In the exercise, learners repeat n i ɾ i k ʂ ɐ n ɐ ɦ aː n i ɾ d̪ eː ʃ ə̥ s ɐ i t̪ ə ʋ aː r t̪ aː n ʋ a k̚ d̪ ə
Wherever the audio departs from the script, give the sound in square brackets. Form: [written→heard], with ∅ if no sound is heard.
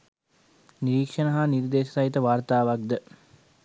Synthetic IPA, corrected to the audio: n i ɾ [i→iː] k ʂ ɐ n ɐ ɦ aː n i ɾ d̪ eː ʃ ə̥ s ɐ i t̪ ə ʋ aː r t̪ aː [n→∅] ʋ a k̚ d̪ ə